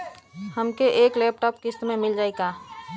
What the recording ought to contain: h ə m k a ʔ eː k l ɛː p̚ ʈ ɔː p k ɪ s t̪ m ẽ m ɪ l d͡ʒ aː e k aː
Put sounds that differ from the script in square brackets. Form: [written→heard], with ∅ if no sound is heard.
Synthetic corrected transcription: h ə m k [a→e] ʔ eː k l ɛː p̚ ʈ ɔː p k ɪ s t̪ m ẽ m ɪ l d͡ʒ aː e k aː

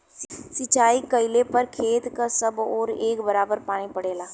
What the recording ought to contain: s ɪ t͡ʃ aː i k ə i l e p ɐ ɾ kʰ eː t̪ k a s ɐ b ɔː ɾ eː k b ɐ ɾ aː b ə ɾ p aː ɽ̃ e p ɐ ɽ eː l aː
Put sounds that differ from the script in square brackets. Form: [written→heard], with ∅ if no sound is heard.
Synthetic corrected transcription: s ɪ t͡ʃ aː i k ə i l e p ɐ ɾ kʰ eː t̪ k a s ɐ b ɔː ɾ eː k b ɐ ɾ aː b ə ɾ p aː ɽ̃ [e→i] p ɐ ɽ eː l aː

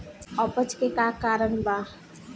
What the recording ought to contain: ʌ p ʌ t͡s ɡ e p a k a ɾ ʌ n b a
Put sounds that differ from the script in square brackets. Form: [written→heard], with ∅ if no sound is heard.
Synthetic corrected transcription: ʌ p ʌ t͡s [ɡ→k] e [p→k] a k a ɾ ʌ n b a

